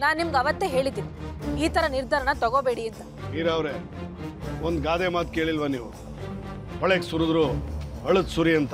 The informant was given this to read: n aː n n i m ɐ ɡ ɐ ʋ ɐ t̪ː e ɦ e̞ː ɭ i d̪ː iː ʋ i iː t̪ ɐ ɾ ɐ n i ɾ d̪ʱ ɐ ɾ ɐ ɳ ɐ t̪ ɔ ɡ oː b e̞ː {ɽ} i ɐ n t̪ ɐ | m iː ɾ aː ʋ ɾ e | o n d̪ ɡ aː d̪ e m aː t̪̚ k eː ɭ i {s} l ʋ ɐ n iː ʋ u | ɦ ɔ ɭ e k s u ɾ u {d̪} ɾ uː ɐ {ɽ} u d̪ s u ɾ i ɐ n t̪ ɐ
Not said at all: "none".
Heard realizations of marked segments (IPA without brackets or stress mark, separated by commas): ɽ, none, d̪, ɭ